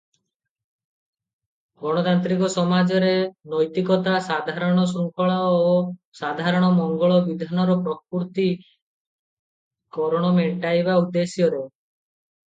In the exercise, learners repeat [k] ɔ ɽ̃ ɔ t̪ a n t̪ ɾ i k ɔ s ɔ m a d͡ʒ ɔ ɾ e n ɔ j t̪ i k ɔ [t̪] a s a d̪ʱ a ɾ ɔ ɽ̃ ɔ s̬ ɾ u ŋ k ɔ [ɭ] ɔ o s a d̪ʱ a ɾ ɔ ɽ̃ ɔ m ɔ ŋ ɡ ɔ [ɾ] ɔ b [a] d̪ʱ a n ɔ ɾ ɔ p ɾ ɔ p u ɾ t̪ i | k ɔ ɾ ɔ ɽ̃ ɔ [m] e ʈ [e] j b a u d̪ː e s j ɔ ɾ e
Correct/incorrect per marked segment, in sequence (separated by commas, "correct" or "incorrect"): incorrect, correct, correct, incorrect, incorrect, correct, incorrect